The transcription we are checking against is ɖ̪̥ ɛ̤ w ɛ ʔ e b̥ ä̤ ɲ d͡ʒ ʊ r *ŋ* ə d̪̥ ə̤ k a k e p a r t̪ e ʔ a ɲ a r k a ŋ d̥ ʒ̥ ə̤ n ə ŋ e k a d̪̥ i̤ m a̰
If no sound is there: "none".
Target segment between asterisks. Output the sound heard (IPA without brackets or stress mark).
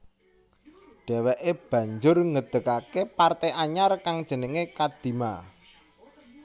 ŋ